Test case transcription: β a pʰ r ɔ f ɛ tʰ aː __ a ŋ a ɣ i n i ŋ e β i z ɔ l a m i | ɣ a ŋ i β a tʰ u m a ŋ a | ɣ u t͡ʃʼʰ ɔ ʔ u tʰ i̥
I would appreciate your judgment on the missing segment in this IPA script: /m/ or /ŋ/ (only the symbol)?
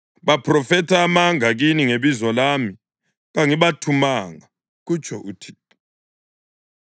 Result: m